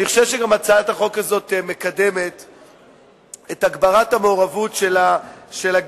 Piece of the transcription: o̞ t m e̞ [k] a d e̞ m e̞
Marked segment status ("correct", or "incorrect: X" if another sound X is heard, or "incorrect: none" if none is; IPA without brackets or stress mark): correct